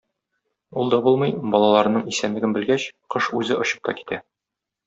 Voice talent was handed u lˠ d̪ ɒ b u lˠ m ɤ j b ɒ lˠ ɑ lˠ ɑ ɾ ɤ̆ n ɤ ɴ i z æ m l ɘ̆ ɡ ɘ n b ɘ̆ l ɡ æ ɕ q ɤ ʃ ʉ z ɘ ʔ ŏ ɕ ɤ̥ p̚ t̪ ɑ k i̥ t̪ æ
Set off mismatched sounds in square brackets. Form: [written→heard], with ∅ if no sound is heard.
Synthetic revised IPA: u lˠ d̪ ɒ b u lˠ m ɤ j b ɒ lˠ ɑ lˠ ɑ ɾ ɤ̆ n ɤ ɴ i [z→s] æ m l ɘ̆ ɡ ɘ n b ɘ̆ l ɡ æ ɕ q ɤ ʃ ʉ z ɘ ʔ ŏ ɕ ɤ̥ p̚ t̪ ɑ k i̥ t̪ æ